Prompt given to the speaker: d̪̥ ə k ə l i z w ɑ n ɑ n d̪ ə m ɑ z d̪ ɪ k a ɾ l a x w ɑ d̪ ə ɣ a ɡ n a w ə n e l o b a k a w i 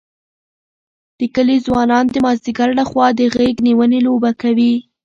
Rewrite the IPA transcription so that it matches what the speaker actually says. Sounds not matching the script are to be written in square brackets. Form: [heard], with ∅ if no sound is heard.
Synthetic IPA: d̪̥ ə k ə l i z w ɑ n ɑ n d̪ ə m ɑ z d̪ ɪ [ɡ] a ɾ l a x w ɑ d̪ ə ɣ [e] ɡ n [i] w ə n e l o b a k a w i